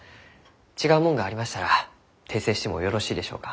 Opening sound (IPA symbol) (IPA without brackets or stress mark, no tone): t͡ɕ